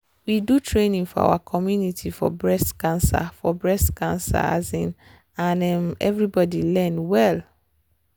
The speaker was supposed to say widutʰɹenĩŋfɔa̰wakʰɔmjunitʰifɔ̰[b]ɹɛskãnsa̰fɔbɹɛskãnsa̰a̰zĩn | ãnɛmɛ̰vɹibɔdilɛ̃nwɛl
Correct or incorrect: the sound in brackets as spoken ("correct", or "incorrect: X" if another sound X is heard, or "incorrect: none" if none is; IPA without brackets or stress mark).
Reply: correct